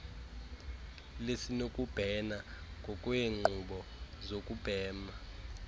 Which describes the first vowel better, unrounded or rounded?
unrounded